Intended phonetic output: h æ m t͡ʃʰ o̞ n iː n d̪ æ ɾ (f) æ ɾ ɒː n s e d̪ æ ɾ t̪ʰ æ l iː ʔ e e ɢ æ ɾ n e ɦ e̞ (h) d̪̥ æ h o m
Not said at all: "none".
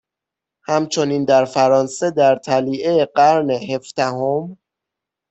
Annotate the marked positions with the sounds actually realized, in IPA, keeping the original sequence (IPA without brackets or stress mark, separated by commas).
f, f